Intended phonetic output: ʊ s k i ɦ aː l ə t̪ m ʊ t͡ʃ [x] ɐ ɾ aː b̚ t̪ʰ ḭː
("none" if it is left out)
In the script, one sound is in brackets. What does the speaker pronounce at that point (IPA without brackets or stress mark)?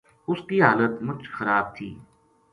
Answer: x